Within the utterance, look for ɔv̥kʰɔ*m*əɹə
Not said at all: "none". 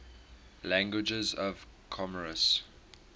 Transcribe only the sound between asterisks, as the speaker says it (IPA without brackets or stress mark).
m